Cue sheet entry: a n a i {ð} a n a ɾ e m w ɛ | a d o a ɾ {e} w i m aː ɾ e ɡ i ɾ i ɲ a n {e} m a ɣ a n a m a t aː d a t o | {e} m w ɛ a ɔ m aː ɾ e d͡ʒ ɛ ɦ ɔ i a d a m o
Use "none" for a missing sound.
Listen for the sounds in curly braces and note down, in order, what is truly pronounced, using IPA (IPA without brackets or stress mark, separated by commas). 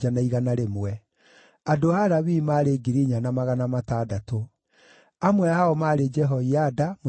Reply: ɣ, a, a, a